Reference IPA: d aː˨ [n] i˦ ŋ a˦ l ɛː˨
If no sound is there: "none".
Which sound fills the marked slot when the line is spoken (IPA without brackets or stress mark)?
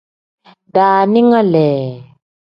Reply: n